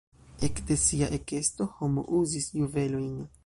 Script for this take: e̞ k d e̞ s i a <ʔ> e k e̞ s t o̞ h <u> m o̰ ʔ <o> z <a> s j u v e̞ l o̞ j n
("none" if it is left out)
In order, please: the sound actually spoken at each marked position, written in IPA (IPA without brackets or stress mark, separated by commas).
ʔ, o, u, i